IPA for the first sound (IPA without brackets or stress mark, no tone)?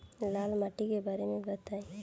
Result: l